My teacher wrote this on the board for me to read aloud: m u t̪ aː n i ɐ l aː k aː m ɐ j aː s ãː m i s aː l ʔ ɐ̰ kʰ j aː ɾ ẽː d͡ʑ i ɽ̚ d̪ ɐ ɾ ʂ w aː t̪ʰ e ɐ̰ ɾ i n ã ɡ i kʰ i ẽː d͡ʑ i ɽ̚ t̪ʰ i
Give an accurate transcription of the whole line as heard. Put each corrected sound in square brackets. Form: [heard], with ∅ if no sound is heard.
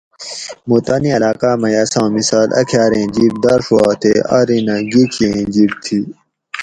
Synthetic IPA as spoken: m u t̪ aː n i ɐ l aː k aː m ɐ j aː s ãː m i s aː l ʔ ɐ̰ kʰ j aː ɾ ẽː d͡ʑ i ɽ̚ d̪ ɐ ɾ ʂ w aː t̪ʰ e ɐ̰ ɾ i n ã ɡ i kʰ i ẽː d͡ʑ i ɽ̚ t̪ʰ i